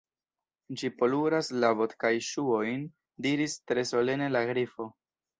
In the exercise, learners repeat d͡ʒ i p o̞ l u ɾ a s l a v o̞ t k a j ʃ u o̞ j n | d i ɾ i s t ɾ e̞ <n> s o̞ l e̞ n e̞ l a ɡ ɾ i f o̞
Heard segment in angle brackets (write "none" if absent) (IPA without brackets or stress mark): none